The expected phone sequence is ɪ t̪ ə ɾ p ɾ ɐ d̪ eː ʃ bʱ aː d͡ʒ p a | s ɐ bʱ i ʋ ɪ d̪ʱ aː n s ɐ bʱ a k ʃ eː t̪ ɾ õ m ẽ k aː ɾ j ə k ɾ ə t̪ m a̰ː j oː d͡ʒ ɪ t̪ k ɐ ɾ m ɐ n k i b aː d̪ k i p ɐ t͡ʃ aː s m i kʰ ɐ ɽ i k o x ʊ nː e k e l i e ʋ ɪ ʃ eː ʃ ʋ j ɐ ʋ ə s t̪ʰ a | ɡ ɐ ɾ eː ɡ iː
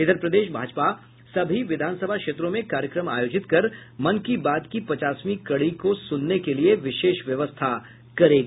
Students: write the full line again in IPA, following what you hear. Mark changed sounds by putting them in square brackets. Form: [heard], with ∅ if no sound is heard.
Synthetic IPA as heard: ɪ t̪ ə ɾ p ɾ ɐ d̪ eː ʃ bʱ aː d͡ʒ p a | s ɐ bʱ i ʋ ɪ d̪ʱ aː n s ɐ bʱ a k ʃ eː t̪ ɾ õ m ẽ k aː ɾ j ə k ɾ ə [∅] m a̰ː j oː d͡ʒ ɪ t̪ k ɐ ɾ m ɐ n k i b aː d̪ k i p ɐ t͡ʃ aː s m i [k] ɐ ɽ i k o [s] ʊ nː e k e l i e ʋ ɪ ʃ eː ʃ ʋ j ɐ ʋ ə s t̪ʰ a | [k] ɐ ɾ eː ɡ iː